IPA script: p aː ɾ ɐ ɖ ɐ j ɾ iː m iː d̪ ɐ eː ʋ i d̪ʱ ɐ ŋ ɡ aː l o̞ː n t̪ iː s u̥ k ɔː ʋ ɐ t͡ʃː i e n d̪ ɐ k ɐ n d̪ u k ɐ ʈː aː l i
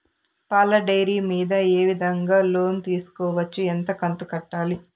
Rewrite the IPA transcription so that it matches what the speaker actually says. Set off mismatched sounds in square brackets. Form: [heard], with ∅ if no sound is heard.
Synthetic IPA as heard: p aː [l] ɐ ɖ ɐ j ɾ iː m iː d̪ ɐ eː ʋ i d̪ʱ ɐ ŋ ɡ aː l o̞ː n t̪ iː s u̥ k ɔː ʋ ɐ t͡ʃː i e n [t̪] ɐ k ɐ n [t̪] u k ɐ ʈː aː l i